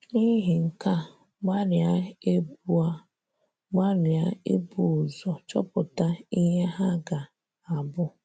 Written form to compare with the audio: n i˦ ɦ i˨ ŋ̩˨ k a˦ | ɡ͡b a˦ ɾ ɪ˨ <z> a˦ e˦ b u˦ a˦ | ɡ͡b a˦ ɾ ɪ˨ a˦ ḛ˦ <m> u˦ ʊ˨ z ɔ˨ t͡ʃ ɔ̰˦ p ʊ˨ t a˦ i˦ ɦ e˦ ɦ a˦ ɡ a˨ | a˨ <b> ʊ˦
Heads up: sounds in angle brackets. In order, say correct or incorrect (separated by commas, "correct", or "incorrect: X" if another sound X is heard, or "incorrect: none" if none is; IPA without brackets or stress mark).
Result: incorrect: none, incorrect: b, correct